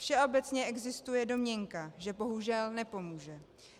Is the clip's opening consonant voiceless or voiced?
voiceless